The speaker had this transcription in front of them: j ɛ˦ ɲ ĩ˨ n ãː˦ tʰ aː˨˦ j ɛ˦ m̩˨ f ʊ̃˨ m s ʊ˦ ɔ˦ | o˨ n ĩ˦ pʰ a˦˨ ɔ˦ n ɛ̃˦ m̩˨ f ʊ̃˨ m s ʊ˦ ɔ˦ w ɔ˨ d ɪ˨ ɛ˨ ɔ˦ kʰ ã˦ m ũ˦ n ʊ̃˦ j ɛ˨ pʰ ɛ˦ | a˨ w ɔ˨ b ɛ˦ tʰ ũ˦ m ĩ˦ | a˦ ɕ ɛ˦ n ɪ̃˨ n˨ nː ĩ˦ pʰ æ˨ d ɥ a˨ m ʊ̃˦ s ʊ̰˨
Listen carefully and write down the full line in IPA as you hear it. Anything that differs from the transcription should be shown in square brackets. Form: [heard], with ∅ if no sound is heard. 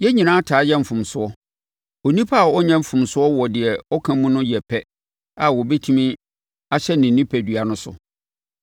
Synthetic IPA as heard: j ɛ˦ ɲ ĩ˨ n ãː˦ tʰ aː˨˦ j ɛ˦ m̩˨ f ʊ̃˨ m s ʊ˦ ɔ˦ | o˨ n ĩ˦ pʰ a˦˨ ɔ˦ [ɲ] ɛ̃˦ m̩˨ f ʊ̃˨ m s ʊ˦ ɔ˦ w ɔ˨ d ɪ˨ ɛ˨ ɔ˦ kʰ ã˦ m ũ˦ n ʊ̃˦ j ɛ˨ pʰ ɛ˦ | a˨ w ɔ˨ b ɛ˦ tʰ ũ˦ m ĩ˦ | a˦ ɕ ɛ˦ n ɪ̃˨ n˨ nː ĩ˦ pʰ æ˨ d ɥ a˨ [n] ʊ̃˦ s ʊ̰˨